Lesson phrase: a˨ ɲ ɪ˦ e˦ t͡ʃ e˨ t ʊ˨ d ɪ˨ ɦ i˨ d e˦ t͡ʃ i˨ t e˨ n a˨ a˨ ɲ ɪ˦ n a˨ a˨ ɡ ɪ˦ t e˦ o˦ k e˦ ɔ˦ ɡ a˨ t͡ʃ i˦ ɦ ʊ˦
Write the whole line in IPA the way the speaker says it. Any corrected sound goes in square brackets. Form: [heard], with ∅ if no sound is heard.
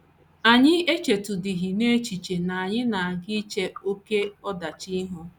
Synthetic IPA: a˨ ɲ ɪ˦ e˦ t͡ʃ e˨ t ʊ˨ d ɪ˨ ɦ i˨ [n] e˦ t͡ʃ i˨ [t͡ʃ] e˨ n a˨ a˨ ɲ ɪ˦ n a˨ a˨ ɡ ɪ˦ [t͡ʃ] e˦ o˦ k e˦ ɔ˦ [d] a˨ t͡ʃ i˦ ɦ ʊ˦

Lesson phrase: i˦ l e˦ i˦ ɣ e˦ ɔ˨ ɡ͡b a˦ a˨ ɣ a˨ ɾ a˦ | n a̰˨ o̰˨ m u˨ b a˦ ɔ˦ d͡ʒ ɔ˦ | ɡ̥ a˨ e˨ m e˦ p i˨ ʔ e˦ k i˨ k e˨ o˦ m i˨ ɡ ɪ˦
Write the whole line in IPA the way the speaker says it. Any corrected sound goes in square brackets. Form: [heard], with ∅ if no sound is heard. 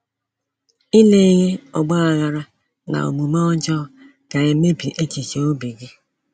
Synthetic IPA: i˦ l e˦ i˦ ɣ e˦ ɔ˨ ɡ͡b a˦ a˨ ɣ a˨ ɾ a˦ | n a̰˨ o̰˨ m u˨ [m] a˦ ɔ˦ d͡ʒ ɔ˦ | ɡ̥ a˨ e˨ m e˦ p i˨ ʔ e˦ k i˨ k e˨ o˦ [b] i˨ ɡ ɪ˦

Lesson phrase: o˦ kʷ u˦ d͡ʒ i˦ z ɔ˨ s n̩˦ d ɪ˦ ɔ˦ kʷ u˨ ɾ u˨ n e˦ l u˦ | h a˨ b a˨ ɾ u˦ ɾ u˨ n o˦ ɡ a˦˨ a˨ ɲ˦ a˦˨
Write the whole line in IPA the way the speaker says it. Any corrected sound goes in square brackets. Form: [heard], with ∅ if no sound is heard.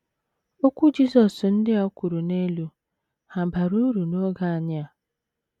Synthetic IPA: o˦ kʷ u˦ d͡ʒ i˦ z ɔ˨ s n̩˦ d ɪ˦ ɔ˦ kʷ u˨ ɾ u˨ n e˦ l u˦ | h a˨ b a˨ ɾ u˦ ɾ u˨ n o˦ ɡ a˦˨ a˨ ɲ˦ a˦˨

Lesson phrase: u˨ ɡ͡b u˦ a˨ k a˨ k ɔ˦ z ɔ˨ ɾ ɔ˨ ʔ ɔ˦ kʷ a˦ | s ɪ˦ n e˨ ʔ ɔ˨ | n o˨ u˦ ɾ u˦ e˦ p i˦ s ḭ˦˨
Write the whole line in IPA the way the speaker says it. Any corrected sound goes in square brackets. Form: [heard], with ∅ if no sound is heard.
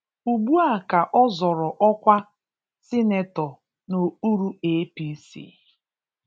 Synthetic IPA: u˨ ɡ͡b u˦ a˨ k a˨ [ʔ] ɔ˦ z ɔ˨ ɾ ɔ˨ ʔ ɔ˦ kʷ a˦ | s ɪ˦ n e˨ [t] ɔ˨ | n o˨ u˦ ɾ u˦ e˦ p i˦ s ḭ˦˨

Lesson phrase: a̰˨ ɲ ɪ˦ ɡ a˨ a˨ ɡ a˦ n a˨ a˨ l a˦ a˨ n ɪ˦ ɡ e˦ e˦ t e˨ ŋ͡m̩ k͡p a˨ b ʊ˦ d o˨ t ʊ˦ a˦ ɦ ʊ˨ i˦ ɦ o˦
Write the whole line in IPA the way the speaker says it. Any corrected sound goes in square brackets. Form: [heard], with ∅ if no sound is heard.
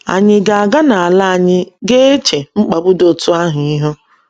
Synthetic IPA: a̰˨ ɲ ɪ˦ ɡ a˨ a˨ ɡ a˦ n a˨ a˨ l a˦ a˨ [ɲ] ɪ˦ ɡ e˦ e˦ [t͡ʃ] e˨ ŋ͡m̩ k͡p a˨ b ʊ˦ d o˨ t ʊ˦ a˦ ɦ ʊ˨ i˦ ɦ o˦

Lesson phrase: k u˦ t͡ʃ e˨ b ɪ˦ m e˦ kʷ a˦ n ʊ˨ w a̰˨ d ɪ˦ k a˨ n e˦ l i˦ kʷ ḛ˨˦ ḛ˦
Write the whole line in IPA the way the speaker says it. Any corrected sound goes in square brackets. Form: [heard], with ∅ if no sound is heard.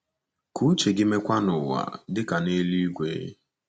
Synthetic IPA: k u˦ t͡ʃ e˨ [ɡ] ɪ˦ m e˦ kʷ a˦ n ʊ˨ w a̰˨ d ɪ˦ k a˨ n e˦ l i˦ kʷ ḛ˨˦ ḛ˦

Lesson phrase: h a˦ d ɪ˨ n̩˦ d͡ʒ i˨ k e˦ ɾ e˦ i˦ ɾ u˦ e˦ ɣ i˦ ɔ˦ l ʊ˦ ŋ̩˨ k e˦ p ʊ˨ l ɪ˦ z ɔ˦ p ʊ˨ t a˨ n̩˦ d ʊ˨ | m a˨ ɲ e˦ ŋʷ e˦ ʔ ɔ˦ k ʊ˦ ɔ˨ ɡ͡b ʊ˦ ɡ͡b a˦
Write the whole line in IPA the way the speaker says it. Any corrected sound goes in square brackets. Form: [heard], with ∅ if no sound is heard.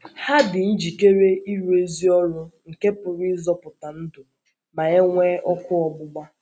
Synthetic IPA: h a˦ d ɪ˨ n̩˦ d͡ʒ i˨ k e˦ ɾ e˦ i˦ ɾ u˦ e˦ [z] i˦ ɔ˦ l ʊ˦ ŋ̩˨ k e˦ p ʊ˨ [ɾ] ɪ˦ z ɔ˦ p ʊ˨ t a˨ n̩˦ d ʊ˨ | m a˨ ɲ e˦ ŋʷ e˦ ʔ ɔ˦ k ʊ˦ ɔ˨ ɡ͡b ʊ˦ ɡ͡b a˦

